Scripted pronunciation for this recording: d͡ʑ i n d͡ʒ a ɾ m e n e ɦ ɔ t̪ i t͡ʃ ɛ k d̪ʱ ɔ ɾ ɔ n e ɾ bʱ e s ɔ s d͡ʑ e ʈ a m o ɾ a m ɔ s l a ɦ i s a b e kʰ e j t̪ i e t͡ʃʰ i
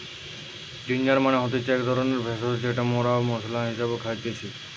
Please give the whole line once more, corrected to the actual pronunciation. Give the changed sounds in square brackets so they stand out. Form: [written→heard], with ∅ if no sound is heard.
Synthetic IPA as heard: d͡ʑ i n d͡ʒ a ɾ m [e→a] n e ɦ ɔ t̪ i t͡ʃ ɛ k d̪ʱ ɔ ɾ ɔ n e ɾ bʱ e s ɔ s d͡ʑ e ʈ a m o ɾ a m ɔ s l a ɦ i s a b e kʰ [e→a] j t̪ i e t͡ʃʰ i